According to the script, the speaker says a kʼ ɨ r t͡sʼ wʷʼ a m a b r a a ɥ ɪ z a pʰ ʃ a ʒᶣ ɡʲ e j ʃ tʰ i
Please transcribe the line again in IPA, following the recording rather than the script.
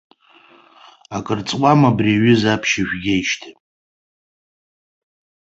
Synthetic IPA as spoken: a kʼ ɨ r t͡sʼ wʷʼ a m a b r i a ɥ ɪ z a pʰ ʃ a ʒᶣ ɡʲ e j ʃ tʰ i

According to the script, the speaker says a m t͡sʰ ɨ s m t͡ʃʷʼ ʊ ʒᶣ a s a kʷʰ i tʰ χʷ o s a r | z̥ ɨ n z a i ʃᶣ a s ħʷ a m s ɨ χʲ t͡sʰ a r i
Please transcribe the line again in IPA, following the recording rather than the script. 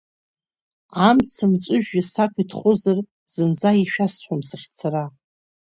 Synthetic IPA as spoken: a m t͡sʰ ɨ m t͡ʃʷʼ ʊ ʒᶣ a s a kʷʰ i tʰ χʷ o z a r | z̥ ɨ n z a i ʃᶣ a s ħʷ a m s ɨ χʲ t͡sʰ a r a

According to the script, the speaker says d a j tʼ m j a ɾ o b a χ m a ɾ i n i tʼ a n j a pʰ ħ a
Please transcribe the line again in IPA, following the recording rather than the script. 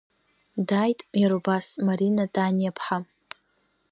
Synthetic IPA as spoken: d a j tʼ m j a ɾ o b a s m a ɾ i n a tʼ a n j a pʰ ħ a

